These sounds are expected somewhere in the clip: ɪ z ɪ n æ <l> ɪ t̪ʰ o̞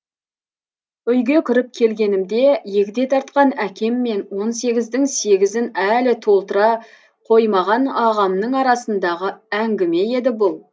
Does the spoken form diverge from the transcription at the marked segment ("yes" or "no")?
no